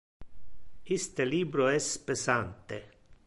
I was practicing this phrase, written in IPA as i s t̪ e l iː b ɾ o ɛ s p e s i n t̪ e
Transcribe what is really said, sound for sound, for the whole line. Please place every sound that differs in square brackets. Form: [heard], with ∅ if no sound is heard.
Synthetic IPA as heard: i s t̪ e l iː b ɾ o ɛ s p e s [a] n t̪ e